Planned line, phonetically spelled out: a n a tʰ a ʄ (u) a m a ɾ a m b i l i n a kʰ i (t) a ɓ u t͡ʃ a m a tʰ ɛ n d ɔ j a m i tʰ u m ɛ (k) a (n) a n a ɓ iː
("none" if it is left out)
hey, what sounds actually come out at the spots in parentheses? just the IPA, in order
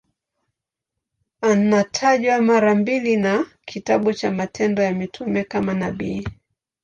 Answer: w, t, k, m

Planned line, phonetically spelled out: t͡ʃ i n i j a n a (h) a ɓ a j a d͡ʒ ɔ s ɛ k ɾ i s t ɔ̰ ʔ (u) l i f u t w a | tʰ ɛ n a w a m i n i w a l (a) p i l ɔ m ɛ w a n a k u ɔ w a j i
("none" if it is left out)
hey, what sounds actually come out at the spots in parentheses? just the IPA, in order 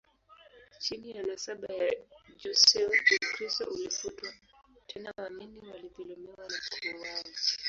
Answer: s, u, i

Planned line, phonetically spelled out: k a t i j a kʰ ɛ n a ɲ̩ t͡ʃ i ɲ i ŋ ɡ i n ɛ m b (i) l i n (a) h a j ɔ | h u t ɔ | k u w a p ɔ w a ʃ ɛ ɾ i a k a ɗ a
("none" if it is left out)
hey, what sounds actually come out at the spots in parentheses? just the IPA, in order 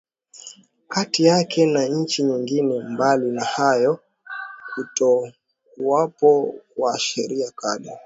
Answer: a, a

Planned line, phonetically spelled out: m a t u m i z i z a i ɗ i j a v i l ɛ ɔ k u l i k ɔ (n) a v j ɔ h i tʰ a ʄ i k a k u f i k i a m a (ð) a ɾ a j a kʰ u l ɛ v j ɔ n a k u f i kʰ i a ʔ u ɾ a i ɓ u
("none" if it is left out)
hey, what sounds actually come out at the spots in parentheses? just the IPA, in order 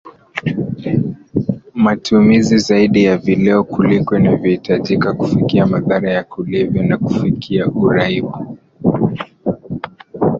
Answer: n, ð

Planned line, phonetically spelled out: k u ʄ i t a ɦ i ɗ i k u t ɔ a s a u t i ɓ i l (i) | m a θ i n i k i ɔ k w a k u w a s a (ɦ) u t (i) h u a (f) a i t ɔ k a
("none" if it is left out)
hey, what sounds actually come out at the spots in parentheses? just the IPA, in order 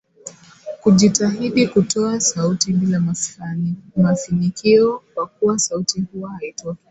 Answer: a, none, i, h

